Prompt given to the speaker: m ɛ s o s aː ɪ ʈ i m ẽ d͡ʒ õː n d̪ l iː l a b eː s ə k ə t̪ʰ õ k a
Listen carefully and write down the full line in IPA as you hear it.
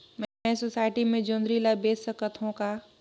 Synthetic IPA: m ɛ s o s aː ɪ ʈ i m ẽ d͡ʒ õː n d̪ ɾ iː l a b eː s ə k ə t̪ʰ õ k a